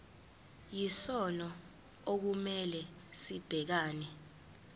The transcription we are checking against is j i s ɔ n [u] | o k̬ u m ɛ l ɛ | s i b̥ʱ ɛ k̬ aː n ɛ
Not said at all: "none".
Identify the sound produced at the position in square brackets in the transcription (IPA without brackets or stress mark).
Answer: ɔ